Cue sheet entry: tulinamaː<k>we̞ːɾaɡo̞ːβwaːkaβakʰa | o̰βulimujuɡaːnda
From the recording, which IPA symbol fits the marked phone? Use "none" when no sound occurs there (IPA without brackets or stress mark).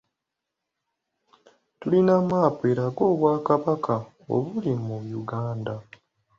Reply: p